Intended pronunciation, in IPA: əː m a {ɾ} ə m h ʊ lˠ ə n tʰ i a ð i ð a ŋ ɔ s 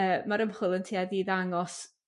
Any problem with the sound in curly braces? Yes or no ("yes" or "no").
no